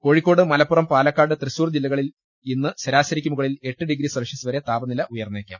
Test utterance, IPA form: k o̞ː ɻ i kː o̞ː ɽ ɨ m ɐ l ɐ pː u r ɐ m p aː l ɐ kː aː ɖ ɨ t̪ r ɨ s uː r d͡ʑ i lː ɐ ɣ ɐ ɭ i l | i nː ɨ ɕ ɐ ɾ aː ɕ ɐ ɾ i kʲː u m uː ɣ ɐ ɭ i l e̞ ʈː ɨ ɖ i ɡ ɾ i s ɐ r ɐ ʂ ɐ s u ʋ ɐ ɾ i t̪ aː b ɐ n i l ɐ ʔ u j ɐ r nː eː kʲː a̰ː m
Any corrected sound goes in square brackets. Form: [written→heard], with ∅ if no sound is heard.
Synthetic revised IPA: k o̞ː ɻ i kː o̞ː ɽ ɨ m ɐ l ɐ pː u r ɐ m p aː l ɐ kː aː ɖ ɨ t̪ r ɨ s uː r d͡ʑ i lː ɐ ɣ ɐ ɭ i l | i nː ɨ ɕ ɐ ɾ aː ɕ ɐ ɾ i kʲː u m [uː→u] ɣ ɐ ɭ i l e̞ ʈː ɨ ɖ i ɡ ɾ i s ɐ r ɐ ʂ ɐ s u ʋ ɐ ɾ [i→e] t̪ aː b ɐ n i l ɐ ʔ u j ɐ r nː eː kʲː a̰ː m